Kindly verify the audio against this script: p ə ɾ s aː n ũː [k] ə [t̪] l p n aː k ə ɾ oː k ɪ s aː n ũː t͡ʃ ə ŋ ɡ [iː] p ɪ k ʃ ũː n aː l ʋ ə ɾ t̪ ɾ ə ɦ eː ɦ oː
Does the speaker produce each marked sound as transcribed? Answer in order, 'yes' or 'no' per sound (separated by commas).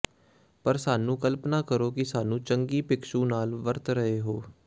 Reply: yes, no, yes